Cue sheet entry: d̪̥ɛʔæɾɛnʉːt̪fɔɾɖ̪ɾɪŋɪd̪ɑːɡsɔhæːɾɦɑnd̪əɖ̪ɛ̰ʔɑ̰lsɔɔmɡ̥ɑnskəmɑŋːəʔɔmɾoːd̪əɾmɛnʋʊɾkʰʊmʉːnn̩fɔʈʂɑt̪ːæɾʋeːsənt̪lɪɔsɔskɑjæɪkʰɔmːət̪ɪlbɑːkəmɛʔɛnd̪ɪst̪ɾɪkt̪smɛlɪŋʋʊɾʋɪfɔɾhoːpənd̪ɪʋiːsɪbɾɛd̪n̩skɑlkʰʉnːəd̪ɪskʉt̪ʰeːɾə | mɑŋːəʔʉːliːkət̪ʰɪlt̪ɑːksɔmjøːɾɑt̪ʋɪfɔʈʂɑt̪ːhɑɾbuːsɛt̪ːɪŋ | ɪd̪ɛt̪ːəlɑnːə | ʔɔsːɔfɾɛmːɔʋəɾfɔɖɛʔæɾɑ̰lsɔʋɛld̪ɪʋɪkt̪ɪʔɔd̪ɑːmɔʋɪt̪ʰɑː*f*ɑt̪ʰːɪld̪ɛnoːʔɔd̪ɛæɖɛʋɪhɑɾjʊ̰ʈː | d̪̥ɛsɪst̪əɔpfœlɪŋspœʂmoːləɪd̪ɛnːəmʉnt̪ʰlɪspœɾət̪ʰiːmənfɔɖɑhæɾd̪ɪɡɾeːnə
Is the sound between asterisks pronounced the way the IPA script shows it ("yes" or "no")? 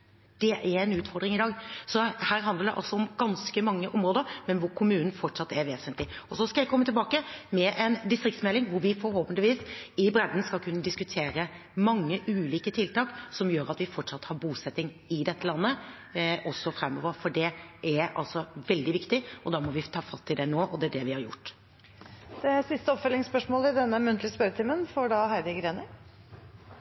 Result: yes